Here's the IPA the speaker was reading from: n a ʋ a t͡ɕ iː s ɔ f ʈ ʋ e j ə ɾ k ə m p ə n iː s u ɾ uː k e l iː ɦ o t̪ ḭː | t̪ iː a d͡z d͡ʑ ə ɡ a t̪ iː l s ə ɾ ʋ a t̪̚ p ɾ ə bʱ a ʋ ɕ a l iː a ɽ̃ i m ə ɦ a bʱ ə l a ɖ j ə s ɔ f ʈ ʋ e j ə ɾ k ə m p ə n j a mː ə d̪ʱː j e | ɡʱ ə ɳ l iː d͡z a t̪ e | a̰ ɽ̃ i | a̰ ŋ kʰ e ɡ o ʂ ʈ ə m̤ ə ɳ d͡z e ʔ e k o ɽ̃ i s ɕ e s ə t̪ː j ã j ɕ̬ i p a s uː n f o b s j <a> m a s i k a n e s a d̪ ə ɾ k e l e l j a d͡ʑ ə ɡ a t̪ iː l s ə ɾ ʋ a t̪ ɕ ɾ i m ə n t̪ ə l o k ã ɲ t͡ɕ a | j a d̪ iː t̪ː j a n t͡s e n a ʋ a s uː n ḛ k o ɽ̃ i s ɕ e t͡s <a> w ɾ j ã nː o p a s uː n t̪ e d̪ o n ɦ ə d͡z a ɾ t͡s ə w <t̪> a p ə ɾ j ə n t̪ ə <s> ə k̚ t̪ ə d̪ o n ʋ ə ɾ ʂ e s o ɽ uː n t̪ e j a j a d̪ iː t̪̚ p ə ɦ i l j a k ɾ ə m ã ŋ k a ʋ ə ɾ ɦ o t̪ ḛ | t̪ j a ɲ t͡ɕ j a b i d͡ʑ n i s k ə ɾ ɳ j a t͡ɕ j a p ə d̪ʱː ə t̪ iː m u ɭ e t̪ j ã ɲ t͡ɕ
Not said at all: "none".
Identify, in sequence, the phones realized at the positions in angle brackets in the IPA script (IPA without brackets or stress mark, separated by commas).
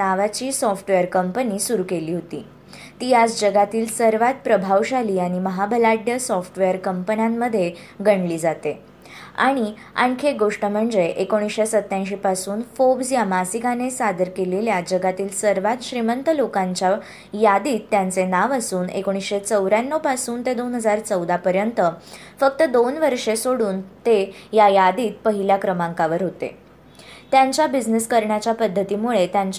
a, ə, d̪, f